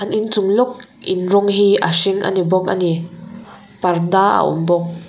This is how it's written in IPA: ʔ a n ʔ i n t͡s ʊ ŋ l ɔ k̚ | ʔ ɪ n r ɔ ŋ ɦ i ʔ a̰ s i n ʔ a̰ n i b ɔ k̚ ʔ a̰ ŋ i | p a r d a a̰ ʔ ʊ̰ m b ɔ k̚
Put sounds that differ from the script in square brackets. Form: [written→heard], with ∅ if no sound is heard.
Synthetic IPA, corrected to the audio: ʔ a n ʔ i n t͡s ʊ ŋ l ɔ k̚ | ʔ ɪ n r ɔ ŋ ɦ i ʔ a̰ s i [n→ŋ] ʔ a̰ n i b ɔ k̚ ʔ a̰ [ŋ→n] i | p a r d a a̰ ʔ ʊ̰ m b ɔ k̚